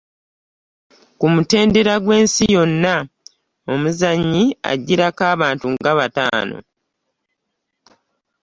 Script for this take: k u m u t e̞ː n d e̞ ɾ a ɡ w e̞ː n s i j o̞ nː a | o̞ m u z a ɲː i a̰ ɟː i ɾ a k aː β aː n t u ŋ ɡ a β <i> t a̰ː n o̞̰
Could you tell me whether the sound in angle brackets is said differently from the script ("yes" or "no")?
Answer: yes